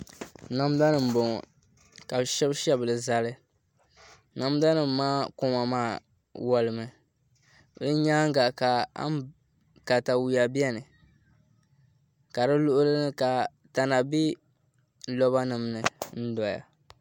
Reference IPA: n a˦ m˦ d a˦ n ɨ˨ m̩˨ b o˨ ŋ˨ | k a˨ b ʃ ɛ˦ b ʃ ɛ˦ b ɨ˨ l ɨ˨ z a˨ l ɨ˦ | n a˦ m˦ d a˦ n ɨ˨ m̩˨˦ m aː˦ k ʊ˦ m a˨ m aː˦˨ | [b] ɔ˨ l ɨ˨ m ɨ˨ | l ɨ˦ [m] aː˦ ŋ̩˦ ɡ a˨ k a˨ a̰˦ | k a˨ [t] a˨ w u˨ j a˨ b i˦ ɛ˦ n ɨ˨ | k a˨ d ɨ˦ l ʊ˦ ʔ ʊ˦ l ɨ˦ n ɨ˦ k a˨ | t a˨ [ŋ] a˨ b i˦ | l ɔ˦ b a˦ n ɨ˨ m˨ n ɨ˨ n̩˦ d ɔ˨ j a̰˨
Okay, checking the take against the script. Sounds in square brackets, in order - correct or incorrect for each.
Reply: incorrect: w, incorrect: ɲ, correct, incorrect: n

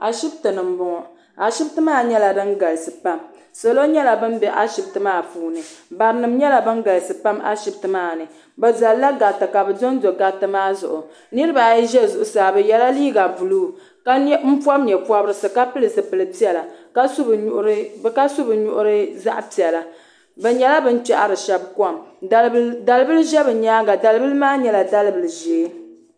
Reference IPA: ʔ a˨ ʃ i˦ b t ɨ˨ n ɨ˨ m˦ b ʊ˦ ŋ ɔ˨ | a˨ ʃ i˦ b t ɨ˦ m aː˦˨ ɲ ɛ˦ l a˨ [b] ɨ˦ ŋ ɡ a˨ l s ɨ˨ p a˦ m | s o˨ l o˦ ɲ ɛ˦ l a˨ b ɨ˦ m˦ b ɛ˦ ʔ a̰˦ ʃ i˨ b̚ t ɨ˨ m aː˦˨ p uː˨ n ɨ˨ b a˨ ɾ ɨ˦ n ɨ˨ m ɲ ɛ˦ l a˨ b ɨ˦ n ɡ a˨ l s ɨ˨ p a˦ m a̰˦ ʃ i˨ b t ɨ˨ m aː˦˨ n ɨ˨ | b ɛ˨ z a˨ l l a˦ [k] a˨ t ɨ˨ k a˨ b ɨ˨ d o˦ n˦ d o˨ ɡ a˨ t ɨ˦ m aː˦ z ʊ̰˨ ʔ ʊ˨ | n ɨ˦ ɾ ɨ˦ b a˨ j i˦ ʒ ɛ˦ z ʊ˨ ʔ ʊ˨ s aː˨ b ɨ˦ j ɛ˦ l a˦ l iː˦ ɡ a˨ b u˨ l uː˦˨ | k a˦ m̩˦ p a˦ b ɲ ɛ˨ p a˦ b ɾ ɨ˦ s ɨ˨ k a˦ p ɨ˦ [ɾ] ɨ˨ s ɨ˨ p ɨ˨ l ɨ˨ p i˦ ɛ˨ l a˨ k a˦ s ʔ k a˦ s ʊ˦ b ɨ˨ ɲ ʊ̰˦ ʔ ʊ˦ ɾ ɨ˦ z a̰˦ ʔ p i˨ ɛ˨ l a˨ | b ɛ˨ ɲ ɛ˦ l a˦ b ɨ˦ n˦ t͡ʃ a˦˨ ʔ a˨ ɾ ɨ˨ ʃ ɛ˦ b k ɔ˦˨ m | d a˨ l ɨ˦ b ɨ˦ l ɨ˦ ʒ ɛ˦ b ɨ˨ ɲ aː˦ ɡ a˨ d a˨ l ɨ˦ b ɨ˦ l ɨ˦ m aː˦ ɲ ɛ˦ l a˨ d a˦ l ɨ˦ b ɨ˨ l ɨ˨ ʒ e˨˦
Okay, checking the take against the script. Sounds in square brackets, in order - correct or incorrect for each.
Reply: incorrect: d, incorrect: ɡ, incorrect: l

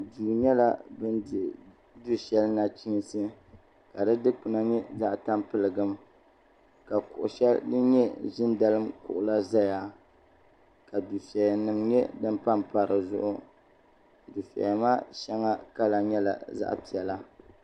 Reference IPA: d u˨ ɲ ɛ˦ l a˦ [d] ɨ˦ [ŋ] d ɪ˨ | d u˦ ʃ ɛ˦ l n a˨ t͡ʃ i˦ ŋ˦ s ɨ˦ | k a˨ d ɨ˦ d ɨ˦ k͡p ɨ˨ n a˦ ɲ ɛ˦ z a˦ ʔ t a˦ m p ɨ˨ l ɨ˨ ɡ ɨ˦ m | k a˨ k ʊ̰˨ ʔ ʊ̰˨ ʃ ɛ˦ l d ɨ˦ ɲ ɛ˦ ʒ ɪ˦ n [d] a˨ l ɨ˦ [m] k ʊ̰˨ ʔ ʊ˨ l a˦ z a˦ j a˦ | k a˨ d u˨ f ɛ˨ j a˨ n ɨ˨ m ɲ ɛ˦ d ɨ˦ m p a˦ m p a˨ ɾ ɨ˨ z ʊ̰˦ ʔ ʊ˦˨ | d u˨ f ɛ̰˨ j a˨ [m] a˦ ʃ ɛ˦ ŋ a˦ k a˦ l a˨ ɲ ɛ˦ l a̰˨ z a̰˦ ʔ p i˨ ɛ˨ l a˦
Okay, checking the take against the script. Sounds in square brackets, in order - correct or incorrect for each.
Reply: incorrect: b, incorrect: n, correct, correct, correct

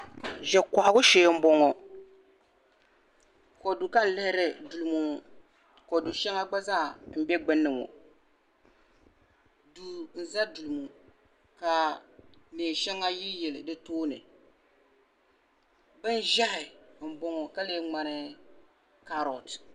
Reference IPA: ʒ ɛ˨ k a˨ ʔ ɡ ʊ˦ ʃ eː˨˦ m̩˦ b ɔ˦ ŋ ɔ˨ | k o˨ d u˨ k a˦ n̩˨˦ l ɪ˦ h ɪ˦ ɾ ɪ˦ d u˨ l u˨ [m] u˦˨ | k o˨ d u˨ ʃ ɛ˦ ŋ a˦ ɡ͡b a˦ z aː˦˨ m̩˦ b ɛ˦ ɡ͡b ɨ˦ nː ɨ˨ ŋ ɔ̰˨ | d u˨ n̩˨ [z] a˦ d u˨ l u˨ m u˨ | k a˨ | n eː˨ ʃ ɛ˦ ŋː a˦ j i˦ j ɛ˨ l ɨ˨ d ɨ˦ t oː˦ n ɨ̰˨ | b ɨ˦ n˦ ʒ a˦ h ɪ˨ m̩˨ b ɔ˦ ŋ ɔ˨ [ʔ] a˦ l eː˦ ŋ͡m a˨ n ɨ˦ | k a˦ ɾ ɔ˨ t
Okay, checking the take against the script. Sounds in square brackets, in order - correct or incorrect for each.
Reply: correct, correct, incorrect: k

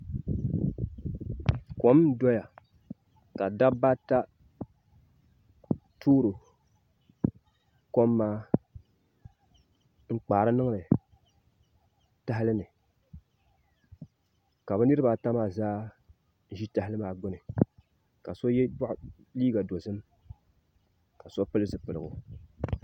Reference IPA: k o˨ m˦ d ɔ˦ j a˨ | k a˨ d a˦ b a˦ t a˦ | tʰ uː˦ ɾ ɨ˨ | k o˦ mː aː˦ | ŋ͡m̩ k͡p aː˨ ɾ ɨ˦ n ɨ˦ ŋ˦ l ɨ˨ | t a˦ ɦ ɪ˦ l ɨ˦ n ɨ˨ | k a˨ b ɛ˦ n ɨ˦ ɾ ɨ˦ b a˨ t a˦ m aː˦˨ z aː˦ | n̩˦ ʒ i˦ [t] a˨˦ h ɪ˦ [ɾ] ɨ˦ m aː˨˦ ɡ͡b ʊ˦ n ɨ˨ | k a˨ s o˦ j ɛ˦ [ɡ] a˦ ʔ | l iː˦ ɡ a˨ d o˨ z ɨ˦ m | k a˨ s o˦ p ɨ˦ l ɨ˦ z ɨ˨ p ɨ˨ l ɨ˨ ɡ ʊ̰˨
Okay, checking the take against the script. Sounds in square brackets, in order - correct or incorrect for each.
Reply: correct, incorrect: l, incorrect: b

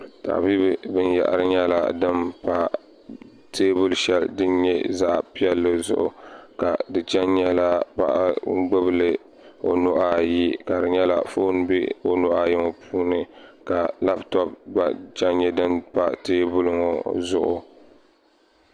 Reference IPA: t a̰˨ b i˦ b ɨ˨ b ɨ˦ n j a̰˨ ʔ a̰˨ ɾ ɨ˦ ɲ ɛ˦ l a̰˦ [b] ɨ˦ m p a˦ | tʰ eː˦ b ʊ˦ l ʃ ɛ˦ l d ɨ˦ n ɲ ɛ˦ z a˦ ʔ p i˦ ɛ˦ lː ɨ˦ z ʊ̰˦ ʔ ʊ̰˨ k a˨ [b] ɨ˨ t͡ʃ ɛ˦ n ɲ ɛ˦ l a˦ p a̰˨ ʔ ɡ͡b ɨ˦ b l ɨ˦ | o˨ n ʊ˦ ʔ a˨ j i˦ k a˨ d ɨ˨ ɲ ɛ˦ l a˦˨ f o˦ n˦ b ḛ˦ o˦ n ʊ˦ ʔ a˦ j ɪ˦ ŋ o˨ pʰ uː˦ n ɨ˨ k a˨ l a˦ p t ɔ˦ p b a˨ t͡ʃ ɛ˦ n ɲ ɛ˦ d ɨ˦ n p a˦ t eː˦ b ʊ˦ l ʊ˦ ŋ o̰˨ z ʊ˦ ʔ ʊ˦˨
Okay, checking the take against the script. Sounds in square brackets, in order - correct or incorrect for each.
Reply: incorrect: d, incorrect: d

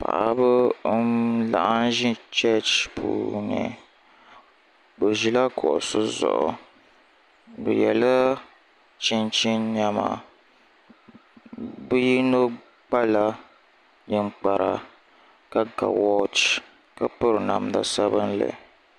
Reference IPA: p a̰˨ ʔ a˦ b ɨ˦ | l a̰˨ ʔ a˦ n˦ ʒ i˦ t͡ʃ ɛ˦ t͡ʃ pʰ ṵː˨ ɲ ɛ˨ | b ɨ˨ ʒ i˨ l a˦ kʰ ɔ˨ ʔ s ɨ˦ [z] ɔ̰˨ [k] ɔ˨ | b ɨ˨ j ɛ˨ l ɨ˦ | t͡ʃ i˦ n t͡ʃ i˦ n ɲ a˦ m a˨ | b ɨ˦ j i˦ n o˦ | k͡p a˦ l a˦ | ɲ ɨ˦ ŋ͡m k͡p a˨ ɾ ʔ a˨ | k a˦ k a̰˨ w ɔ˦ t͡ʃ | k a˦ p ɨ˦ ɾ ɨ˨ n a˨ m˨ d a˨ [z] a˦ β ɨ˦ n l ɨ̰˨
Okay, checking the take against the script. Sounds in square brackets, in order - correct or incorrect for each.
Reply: correct, incorrect: ʔ, incorrect: s

